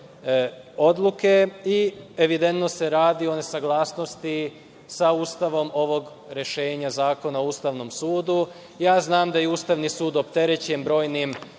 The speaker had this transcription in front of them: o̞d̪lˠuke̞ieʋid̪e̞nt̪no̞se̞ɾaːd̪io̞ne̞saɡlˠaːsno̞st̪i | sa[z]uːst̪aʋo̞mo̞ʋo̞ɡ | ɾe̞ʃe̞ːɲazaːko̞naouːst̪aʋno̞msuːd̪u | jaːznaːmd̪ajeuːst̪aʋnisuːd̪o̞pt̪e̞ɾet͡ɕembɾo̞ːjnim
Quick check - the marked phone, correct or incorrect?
incorrect